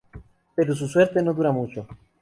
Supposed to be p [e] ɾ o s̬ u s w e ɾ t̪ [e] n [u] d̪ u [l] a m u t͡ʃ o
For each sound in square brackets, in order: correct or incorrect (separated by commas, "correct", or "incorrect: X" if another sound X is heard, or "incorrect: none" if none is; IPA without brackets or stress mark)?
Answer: correct, correct, incorrect: o, incorrect: ɾ